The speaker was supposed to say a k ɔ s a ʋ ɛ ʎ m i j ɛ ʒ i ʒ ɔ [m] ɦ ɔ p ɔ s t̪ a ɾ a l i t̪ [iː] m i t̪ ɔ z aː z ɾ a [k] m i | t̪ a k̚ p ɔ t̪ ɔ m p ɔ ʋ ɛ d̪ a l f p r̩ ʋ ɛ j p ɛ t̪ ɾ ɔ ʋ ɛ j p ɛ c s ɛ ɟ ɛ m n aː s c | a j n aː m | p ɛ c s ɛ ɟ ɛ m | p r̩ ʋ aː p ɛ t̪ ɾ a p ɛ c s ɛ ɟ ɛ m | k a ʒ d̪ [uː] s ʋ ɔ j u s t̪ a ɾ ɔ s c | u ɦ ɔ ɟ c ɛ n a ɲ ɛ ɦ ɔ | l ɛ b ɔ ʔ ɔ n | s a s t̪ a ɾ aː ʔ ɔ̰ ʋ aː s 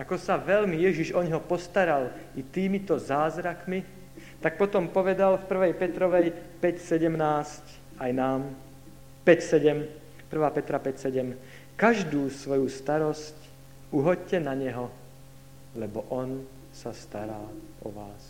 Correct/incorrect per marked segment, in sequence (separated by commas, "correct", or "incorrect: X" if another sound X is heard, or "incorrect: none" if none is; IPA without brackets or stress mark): incorrect: ɲ, correct, correct, correct